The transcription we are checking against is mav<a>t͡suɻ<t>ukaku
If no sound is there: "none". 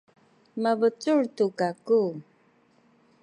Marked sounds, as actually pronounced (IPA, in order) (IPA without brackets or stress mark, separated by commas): ə, t